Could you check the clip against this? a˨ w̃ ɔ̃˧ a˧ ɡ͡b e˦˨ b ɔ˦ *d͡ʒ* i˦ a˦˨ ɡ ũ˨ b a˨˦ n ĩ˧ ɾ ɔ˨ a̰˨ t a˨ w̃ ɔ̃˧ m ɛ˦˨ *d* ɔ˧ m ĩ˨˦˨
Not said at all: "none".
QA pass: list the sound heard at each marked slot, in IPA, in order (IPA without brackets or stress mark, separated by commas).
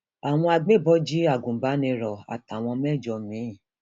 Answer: d͡ʒ, d͡ʒ